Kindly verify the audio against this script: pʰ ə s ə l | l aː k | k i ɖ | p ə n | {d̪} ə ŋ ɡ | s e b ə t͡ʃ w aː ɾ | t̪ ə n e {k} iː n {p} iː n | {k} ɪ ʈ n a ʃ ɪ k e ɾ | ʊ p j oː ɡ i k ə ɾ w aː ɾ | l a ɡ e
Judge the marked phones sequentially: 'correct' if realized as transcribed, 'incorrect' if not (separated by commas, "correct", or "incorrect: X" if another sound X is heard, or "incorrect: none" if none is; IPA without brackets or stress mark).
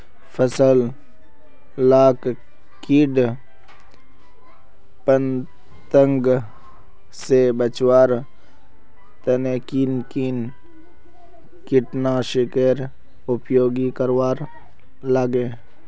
incorrect: t̪, correct, incorrect: k, correct